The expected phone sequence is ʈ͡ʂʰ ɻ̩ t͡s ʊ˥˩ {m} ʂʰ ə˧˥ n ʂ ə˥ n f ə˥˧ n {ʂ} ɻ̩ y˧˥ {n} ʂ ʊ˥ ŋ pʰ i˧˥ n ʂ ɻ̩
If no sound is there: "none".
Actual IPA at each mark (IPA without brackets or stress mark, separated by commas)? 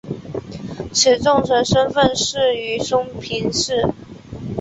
ŋ, ʂ, none